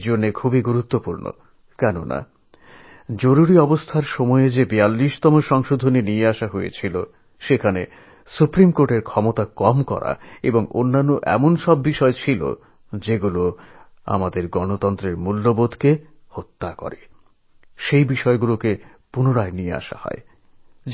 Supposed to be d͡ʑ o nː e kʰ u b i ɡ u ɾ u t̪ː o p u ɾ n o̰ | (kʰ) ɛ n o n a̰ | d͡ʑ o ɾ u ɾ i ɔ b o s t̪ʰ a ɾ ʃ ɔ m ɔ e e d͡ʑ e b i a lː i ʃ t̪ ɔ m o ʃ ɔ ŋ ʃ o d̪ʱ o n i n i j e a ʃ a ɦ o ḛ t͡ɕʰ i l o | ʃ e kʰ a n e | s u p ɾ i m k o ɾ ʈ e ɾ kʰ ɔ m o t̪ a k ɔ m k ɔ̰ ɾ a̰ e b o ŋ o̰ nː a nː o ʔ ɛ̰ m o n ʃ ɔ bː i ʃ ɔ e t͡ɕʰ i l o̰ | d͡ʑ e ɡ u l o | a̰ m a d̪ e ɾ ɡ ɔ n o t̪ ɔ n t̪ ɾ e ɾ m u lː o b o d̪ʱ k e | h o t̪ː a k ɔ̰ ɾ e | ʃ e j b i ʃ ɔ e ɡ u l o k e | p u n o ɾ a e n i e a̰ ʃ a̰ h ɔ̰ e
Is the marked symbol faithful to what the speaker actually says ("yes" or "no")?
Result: no